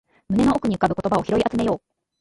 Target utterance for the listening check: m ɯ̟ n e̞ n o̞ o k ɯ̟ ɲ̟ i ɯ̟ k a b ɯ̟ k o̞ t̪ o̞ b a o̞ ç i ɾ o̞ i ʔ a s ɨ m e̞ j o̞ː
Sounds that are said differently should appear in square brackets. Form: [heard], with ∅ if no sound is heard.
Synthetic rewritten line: m ɯ̟ n e̞ n o̞ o k ɯ̟ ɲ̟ i ɯ̟ k a b ɯ̟ k o̞ t̪ o̞ b a o̞ ç i ɾ o̞ i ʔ a [t͡s] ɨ m e̞ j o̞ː